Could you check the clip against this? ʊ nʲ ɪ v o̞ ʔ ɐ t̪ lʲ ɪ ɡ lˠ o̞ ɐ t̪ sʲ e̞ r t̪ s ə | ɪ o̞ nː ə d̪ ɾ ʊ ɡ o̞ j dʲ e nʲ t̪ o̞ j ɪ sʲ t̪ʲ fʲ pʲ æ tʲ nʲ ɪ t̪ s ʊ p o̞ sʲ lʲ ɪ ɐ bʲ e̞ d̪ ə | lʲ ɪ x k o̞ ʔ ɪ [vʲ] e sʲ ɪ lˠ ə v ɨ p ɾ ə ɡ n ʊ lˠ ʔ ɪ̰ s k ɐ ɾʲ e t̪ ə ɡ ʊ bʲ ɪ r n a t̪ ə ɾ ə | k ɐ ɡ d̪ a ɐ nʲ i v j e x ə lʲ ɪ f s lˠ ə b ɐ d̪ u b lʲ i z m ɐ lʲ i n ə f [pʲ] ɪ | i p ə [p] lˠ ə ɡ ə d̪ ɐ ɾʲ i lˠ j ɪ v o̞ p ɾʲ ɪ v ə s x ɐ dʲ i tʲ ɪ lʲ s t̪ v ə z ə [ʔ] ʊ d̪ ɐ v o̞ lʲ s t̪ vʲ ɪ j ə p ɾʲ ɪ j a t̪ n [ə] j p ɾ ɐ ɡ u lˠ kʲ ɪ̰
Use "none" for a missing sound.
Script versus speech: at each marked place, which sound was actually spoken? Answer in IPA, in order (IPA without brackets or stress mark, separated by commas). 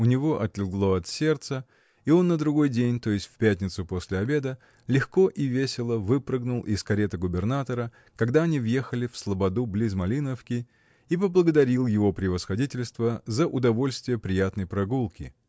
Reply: vʲ, kʲ, b, ʔ, ə